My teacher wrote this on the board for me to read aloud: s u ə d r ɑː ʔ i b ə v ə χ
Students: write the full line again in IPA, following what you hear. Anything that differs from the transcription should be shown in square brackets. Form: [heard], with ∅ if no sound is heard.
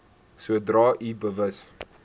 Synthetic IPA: s u ə d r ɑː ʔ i b ə v ə [s]